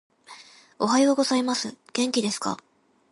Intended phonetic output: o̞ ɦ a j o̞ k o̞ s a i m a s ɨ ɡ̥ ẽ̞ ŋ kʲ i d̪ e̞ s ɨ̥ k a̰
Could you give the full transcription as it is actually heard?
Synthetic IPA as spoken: o̞ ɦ a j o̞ ɡ o̞ z a i m a s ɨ ɡ̥ ẽ̞ ŋ kʲ i d̪ e̞ s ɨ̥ k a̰